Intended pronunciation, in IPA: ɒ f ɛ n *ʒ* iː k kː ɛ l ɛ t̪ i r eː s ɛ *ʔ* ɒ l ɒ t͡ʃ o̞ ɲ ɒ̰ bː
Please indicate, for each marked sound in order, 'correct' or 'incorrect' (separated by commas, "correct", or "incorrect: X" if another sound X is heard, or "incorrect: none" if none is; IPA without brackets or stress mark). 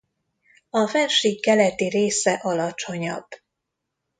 incorrect: ʃ, correct